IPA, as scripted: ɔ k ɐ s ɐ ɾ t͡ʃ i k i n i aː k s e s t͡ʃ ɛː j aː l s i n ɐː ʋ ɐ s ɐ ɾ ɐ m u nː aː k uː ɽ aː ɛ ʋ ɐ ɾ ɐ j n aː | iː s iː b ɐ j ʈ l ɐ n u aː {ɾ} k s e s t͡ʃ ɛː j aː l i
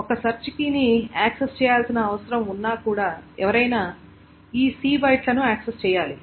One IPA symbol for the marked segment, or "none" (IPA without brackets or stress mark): none